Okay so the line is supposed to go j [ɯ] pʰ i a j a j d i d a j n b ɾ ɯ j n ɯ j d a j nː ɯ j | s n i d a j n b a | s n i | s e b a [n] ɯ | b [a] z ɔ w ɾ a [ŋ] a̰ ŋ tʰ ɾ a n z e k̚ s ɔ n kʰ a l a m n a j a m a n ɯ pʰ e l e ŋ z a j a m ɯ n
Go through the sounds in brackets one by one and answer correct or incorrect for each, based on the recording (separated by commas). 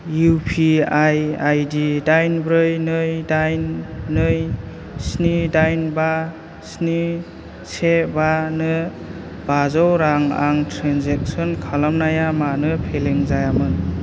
incorrect, correct, correct, correct